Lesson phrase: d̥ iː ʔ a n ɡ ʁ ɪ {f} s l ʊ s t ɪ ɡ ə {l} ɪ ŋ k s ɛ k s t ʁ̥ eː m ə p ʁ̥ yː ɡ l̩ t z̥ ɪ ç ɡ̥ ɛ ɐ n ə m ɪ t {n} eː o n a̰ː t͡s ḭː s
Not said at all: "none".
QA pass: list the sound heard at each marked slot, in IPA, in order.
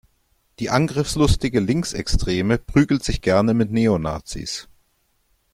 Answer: f, l, n

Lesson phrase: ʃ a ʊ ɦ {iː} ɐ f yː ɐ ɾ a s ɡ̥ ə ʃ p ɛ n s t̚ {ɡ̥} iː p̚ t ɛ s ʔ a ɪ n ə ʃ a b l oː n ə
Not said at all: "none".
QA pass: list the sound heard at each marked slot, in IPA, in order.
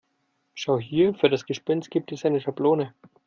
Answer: iː, ɡ̥

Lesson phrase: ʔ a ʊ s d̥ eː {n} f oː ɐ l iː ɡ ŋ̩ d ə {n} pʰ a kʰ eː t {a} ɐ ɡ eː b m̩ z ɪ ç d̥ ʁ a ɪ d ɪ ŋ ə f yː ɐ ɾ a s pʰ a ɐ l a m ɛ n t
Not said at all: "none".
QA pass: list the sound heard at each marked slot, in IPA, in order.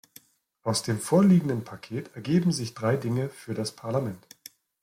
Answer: m, n, ɛ

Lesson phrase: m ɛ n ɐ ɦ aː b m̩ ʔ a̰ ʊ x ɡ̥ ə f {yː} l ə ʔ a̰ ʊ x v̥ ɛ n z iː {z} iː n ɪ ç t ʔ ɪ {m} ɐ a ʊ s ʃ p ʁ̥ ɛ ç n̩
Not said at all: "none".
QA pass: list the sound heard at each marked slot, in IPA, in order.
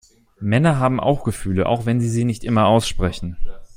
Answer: yː, z, m

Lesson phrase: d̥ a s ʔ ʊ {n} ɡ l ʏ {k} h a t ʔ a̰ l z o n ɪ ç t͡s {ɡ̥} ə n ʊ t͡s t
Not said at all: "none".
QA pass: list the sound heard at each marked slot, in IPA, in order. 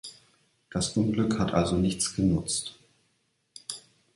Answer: n, k, ɡ̥

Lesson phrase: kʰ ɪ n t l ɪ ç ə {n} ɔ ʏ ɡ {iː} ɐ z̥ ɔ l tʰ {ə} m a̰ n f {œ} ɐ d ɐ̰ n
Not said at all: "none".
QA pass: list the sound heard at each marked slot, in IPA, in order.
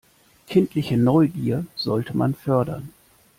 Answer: n, iː, ə, œ

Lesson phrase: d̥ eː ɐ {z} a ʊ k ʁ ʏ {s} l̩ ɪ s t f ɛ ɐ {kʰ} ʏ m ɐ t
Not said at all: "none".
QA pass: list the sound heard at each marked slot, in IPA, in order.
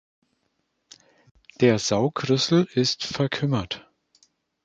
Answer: z, s, kʰ

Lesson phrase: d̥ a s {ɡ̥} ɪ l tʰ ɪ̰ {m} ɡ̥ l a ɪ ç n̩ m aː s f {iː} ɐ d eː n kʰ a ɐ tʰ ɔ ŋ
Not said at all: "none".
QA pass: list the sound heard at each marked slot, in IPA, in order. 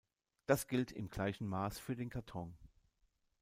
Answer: ɡ̥, m, yː

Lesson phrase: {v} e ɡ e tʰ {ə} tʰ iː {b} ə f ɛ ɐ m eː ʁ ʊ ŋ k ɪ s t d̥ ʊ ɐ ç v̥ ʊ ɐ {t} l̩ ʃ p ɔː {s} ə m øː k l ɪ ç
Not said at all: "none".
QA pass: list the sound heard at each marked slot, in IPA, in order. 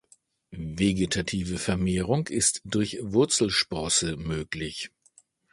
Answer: v, a, v, t͡s, s

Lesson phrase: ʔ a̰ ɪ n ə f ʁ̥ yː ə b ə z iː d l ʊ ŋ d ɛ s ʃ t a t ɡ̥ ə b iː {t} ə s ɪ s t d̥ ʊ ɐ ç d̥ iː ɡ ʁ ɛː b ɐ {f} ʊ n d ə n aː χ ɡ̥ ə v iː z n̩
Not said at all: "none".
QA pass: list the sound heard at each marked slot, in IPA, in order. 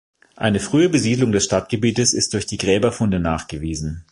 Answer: t, f

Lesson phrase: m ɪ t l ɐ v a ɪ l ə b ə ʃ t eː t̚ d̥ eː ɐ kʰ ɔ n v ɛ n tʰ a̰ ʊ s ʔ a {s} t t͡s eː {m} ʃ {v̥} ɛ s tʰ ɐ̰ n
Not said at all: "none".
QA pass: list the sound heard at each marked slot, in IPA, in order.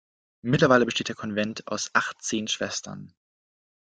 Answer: χ, n, v̥

